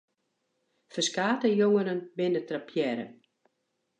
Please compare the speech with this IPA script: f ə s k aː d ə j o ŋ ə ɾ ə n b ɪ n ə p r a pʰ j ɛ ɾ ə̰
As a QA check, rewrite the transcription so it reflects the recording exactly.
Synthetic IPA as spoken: f ə s k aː t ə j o ŋ ə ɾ ə n b ɪ n ə t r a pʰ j ɛ ɾ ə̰